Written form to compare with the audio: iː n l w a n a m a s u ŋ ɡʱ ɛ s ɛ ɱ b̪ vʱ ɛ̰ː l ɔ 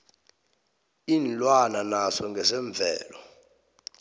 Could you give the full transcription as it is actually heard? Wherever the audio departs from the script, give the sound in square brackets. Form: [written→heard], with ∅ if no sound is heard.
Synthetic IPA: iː n l w a n a [m→n] a s [u→ɔ] ŋ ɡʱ ɛ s ɛ ɱ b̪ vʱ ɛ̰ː l ɔ